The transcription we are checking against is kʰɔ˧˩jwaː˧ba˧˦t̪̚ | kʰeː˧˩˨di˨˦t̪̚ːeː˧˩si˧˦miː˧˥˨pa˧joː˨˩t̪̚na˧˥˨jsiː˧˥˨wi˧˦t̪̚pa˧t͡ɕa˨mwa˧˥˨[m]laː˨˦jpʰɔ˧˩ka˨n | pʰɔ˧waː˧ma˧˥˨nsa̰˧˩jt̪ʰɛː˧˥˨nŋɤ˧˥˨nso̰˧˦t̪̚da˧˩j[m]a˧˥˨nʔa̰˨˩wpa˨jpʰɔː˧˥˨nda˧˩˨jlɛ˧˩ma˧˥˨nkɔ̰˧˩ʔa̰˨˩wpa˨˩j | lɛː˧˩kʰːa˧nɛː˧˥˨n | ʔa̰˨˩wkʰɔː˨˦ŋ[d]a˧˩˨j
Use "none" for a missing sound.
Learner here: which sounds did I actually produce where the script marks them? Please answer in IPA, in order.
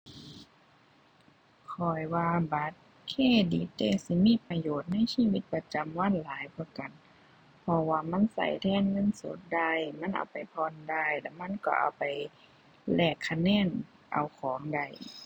n, m, d

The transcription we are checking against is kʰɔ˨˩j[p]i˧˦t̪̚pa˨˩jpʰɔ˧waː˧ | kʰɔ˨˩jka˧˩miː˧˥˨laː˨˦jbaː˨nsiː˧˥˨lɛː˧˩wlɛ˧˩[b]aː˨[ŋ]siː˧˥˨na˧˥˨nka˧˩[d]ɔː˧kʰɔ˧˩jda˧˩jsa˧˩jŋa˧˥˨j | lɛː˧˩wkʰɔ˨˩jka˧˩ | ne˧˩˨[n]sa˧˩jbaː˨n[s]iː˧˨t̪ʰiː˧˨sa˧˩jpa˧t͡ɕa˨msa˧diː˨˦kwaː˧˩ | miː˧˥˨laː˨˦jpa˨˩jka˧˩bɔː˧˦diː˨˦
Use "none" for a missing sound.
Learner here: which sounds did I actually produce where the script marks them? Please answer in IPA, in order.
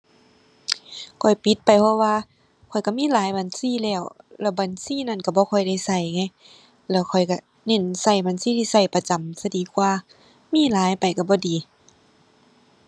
p, b, n, b, n, s

